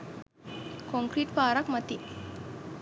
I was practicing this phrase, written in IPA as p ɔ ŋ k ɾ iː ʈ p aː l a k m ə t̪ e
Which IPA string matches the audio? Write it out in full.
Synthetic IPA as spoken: k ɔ ŋ k ɾ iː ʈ p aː ɾ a k m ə t̪ i